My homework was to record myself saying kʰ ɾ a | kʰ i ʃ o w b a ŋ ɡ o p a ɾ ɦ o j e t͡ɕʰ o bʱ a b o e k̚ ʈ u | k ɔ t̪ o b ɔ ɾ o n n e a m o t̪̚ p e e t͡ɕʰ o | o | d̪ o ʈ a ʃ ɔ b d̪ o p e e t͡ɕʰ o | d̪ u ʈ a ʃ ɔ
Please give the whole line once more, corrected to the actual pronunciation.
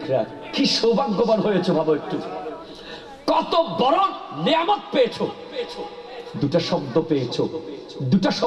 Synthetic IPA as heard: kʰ ɾ a | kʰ i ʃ o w b a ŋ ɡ o b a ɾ ɦ o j e t͡ɕʰ o bʱ a b o e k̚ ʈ u | k ɔ t̪ o b ɔ ɾ o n n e a m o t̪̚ p e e t͡ɕʰ o | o | d̪ u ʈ a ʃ ɔ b d̪ o p e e t͡ɕʰ o | d̪ u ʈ a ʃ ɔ